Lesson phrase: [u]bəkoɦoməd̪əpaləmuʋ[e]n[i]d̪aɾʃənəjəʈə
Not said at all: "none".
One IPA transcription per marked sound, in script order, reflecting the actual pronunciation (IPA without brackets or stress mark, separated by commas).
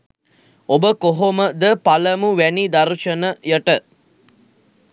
o, æ, i